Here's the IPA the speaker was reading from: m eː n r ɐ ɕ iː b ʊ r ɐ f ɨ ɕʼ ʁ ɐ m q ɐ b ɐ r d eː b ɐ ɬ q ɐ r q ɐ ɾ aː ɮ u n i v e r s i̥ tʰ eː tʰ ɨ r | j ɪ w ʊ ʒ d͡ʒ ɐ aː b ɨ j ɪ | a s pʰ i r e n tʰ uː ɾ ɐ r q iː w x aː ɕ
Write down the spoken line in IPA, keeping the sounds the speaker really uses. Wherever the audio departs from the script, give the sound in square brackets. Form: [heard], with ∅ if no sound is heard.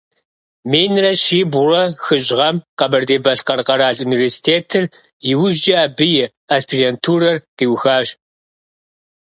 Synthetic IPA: m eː n r ɐ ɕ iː b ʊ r ɐ [x] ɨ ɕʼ ʁ ɐ m q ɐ b ɐ r d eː b ɐ ɬ q ɐ r q ɐ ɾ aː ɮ u n i v e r s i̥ tʰ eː tʰ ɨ r | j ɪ w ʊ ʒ d͡ʒ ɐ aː b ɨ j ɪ | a s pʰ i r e n tʰ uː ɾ ɐ r q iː w x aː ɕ